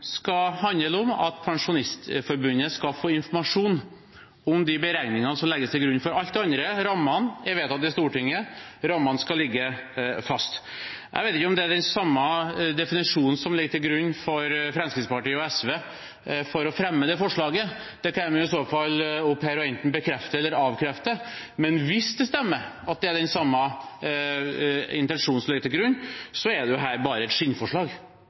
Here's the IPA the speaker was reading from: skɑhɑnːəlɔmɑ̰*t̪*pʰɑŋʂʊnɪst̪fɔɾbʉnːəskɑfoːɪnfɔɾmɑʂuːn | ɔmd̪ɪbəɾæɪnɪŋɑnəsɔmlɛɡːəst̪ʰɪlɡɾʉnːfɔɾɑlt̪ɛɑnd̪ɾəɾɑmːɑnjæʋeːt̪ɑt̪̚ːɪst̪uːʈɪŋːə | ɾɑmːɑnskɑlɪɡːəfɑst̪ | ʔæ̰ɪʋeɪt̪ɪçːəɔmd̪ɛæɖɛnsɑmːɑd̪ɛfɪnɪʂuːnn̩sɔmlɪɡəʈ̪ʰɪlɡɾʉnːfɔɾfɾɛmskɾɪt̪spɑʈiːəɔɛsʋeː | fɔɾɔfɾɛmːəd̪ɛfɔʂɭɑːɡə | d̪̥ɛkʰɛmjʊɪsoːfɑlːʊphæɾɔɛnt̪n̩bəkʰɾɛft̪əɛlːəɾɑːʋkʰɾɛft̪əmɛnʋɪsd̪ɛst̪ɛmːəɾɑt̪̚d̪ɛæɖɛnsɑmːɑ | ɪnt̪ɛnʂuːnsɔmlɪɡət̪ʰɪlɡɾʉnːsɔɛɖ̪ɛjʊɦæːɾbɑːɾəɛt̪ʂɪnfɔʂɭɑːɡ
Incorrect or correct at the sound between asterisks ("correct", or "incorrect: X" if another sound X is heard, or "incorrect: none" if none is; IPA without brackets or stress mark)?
correct